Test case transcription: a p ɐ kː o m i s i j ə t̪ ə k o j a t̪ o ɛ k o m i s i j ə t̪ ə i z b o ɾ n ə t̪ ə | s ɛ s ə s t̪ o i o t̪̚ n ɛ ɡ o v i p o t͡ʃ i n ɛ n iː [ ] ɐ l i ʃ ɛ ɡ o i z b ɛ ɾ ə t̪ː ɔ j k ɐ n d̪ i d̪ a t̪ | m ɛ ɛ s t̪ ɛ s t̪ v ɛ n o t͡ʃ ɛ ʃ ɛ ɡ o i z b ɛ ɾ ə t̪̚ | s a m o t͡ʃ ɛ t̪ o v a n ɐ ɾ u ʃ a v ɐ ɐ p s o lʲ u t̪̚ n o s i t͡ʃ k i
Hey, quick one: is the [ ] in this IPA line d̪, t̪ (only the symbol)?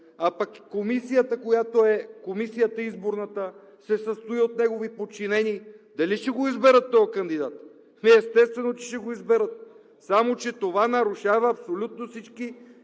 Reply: d̪